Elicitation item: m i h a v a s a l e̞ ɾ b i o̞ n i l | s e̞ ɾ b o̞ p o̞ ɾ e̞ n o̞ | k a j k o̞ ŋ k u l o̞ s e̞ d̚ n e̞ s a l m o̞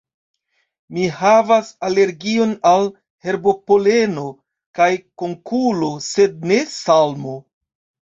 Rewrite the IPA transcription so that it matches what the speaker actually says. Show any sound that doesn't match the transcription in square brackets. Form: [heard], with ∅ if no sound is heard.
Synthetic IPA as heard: m i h a v a s a l e̞ ɾ [ɡ] i o̞ n [a] l | [h] e̞ ɾ b o̞ p o̞ [l] e̞ n o̞ | k a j k o̞ ŋ k u l o̞ s e̞ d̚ n e̞ s a l m o̞